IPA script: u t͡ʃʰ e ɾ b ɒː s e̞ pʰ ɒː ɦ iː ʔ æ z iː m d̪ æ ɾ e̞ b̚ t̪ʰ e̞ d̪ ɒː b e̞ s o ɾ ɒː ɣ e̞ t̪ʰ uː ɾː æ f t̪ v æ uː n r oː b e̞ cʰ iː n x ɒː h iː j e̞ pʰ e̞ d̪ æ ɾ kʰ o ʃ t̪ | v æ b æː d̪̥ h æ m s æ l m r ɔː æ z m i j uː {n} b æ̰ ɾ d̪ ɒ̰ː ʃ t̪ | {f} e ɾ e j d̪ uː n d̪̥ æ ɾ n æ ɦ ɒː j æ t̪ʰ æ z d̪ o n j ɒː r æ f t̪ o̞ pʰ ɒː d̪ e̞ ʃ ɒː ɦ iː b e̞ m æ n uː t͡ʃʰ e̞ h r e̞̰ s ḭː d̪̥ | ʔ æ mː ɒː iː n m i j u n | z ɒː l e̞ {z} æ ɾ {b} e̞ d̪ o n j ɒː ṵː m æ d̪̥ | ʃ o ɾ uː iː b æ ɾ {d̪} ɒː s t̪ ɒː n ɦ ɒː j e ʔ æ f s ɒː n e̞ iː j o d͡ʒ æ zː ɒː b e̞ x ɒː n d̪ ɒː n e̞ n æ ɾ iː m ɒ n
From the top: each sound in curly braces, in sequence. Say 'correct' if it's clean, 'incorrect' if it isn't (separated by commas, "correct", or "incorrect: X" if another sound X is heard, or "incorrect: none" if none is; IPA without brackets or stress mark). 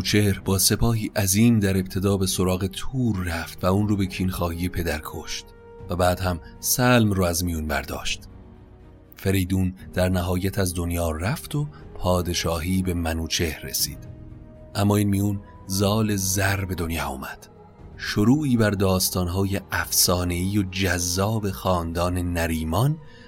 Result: correct, correct, correct, correct, correct